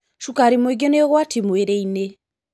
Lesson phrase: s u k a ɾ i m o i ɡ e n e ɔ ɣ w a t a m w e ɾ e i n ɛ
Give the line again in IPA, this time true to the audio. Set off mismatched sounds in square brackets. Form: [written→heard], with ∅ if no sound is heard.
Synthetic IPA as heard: [s→ʃ] u k a ɾ i m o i ɡ e n e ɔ ɣ w a t [a→i] m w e ɾ e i n [ɛ→e]